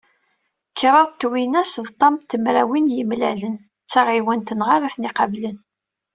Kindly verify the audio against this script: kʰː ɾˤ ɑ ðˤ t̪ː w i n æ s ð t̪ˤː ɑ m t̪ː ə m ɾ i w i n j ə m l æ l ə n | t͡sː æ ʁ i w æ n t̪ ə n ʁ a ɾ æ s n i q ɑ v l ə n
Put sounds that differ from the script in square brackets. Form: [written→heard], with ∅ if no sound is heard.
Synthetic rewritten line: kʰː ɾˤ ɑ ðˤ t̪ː w i n æ s ð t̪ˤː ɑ m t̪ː ə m ɾ [i→æ] w i n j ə m l æ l ə n | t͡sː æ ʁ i w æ n t̪ ə n ʁ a ɾ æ [s→θ] n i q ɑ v l ə n